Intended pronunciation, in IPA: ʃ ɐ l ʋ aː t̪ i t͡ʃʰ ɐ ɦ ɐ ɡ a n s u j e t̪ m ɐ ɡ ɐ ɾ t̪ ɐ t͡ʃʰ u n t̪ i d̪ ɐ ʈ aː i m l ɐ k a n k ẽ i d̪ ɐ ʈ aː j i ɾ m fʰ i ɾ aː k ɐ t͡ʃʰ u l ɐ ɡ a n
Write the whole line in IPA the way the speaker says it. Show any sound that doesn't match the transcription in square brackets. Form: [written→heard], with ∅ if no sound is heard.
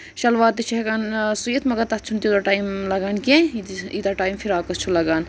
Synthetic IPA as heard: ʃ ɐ l ʋ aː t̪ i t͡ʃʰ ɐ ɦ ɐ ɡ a n s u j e t̪ m ɐ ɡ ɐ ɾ t̪ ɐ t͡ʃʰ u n t̪ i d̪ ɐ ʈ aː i m l ɐ [k→ɡ] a n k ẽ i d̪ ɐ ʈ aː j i [ɾ→∅] m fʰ i ɾ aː k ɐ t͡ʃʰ u l ɐ ɡ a n